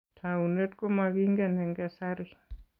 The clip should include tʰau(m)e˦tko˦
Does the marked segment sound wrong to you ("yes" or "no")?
yes